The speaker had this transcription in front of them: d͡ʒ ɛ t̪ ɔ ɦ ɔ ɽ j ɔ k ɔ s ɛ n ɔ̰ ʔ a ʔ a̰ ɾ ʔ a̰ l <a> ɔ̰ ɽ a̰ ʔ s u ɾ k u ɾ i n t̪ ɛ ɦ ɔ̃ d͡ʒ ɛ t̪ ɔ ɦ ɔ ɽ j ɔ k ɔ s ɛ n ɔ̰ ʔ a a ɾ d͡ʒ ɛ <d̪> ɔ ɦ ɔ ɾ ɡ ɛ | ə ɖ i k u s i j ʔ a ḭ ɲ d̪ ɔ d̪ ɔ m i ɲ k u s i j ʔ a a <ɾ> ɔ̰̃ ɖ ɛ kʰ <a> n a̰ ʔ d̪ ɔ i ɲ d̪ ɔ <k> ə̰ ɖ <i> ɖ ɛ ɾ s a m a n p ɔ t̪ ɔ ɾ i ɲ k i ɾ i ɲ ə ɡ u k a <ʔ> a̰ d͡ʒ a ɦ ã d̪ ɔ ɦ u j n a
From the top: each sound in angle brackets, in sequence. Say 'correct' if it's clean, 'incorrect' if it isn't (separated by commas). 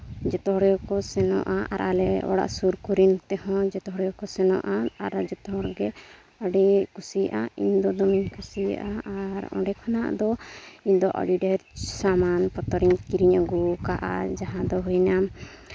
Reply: incorrect, incorrect, correct, correct, incorrect, correct, correct